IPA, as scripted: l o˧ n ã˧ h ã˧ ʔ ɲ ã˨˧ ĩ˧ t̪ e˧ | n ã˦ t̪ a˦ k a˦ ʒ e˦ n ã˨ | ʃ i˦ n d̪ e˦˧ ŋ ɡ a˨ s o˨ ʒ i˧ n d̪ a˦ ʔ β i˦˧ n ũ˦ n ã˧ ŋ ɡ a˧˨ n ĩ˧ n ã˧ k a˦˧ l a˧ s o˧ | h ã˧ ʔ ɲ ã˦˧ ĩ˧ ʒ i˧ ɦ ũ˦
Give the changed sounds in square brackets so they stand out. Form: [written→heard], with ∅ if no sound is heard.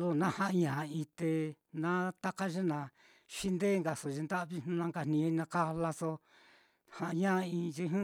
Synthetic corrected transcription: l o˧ n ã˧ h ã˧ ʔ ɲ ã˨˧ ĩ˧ t̪ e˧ | n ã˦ t̪ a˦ k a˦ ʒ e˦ n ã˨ | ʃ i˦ n d̪ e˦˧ ŋ ɡ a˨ s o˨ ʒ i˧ n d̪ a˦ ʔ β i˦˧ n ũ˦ n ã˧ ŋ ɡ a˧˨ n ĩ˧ n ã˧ k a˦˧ l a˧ s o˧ | h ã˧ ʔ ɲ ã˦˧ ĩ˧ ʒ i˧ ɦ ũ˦